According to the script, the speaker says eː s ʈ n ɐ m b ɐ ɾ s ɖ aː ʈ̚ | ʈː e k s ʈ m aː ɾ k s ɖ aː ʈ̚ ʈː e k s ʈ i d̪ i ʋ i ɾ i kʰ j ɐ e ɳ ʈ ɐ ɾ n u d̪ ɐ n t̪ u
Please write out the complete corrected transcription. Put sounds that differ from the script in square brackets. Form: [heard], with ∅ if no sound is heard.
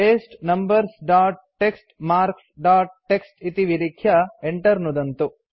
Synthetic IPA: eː s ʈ n ɐ m b ɐ ɾ s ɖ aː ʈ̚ | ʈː e k s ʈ m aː ɾ k s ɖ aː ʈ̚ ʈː e k s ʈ i [t̪] i ʋ i ɾ i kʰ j ɐ e ɳ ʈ ɐ ɾ n u d̪ ɐ n t̪ u